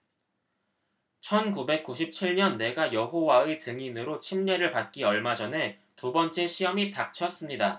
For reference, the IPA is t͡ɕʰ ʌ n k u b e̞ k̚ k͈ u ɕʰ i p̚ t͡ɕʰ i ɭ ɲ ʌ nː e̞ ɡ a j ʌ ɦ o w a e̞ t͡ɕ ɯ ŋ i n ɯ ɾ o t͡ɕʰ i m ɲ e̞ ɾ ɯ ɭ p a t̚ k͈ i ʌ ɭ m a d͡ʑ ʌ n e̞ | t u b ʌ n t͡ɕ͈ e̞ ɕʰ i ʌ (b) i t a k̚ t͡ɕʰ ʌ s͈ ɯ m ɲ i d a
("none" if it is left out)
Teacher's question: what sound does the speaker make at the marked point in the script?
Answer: m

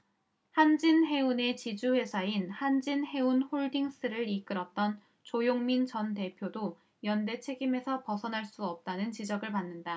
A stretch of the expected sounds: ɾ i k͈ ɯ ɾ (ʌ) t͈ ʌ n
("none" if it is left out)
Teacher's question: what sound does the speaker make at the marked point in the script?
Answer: ʌ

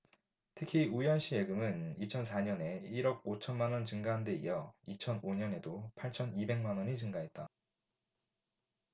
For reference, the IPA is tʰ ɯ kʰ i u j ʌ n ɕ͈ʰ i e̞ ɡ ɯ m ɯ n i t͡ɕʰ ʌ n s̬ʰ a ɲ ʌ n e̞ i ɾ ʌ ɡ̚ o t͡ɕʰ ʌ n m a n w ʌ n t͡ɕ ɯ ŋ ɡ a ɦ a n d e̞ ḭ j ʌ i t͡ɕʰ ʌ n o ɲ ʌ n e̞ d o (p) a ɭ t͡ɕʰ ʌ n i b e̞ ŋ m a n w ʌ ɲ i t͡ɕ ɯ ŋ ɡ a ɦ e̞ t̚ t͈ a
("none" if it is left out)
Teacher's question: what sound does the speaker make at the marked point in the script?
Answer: pʰ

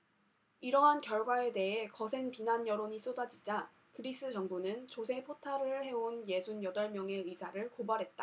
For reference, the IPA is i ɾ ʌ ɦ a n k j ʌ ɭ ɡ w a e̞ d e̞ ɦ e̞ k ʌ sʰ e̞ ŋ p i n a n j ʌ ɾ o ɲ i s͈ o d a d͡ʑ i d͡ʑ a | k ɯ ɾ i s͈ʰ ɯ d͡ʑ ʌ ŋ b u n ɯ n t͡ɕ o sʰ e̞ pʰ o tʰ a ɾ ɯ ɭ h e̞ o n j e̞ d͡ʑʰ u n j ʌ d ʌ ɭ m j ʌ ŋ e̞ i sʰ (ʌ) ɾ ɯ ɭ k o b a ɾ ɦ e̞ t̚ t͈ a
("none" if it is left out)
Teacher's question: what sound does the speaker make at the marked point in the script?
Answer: a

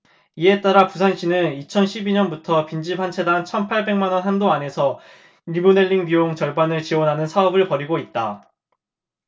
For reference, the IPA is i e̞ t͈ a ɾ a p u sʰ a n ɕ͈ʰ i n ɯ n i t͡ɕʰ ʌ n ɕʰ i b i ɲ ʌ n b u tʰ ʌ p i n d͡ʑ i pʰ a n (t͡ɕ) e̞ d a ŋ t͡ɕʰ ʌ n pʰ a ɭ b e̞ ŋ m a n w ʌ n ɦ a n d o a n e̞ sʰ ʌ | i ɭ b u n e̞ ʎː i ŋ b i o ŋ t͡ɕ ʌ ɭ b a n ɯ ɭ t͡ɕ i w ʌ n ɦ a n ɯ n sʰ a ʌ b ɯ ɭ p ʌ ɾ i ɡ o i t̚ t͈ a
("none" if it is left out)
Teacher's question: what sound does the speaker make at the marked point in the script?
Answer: t͡ɕʰ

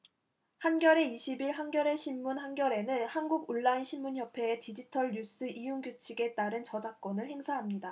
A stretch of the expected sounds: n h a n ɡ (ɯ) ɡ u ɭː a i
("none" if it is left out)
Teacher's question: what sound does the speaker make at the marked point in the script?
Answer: u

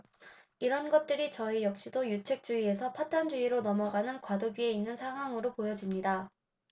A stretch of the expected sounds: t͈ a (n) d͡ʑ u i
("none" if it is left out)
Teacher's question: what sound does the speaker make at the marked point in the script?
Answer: n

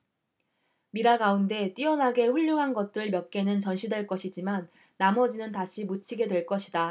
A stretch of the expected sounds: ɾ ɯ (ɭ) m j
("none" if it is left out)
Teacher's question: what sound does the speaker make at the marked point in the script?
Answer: ɭ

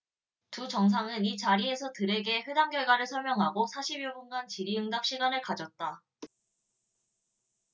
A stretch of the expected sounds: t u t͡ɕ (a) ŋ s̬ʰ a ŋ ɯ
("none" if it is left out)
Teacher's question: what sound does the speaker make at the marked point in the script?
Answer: ʌ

